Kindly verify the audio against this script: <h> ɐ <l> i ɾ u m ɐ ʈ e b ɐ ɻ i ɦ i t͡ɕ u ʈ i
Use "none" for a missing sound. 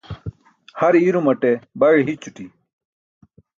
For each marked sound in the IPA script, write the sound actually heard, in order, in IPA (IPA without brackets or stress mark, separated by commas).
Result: h, ɾ